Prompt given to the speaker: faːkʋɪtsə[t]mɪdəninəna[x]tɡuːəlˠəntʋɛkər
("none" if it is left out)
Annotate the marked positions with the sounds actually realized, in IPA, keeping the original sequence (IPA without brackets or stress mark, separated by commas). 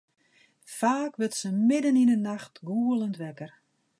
none, x